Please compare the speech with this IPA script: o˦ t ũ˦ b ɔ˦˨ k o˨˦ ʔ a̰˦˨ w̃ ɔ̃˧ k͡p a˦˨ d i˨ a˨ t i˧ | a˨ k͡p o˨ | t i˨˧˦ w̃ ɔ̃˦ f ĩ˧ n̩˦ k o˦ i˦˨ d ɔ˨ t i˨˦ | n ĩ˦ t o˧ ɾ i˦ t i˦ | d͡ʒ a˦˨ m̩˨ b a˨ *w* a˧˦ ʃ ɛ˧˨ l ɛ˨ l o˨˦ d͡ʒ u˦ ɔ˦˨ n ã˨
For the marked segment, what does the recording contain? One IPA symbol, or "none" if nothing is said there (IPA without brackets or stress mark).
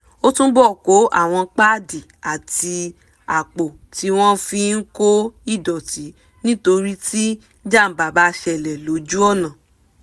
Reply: b